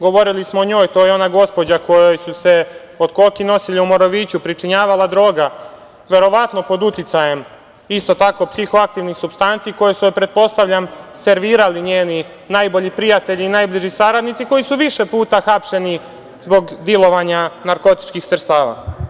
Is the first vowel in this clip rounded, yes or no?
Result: yes